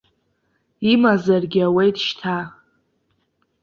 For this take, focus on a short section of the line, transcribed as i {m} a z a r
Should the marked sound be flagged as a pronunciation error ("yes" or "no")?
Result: no